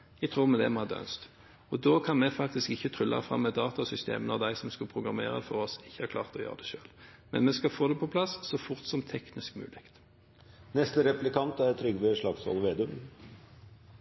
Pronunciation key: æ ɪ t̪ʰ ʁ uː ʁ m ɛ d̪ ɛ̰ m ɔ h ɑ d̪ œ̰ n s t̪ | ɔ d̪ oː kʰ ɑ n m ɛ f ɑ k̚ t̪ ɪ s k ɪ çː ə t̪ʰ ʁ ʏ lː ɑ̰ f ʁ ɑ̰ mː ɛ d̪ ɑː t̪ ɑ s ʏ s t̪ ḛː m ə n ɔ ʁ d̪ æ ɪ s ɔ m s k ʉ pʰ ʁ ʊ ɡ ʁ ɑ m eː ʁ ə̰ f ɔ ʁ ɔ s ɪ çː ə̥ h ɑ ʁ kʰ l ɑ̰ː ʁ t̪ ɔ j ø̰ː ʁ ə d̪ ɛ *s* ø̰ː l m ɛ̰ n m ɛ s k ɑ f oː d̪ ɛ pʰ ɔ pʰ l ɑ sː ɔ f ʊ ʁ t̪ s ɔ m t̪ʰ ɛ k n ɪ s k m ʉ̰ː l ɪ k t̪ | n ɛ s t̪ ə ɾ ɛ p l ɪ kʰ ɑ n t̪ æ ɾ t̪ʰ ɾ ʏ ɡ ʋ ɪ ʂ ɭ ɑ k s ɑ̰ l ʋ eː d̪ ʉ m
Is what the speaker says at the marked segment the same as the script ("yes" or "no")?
no